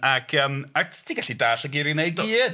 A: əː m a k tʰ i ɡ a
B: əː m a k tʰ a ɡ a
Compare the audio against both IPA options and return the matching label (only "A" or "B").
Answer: A